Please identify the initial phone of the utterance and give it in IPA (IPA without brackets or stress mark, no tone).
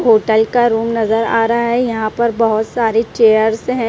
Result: ɦ